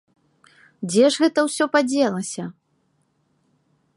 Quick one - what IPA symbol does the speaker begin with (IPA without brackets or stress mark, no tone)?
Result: d͡zʲ